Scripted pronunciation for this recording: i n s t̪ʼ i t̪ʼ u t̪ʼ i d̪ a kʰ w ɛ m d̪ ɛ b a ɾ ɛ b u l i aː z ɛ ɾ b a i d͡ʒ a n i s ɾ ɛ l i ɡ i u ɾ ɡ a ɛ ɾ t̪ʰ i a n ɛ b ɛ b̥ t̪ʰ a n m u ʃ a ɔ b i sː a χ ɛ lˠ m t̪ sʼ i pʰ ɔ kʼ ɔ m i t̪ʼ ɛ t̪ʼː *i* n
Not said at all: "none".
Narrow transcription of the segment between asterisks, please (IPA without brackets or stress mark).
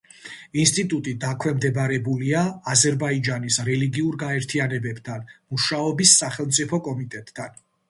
a